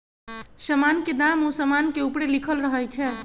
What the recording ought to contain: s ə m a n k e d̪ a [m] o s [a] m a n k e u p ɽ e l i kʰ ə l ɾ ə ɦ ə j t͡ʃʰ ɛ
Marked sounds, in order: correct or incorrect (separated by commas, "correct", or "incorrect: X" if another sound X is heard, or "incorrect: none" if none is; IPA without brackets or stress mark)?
correct, incorrect: ə